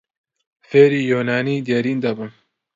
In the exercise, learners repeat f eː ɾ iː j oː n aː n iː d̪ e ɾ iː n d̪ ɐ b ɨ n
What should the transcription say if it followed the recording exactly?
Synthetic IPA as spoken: f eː ɾ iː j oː n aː n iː d̪ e ɾ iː n d̪ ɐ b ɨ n